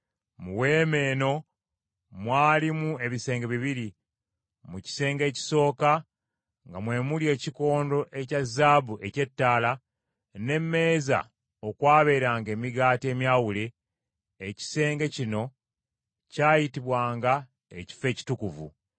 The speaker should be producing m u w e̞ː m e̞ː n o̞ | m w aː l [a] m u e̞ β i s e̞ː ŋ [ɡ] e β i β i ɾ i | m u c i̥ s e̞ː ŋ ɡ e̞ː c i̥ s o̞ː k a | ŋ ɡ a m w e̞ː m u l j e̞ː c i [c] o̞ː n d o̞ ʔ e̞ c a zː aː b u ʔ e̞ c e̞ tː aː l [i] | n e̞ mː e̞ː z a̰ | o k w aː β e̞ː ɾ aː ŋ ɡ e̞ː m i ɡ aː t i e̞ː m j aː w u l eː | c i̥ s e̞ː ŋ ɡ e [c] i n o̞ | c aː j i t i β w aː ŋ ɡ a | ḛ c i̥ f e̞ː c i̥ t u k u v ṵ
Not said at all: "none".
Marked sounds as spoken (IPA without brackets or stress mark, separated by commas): i, ɡ, k, a, c